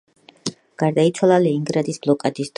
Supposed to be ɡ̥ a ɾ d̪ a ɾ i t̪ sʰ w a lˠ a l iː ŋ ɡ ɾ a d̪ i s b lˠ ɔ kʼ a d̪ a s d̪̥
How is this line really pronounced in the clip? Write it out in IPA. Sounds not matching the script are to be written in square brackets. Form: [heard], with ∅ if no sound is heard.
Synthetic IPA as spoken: ɡ̥ a ɾ d̪ a [∅] i t̪ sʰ w a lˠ a l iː ŋ ɡ ɾ a d̪ i s b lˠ ɔ kʼ a d̪ [i] s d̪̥